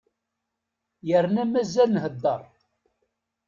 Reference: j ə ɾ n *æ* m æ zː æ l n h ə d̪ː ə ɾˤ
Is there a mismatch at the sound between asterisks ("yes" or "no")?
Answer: no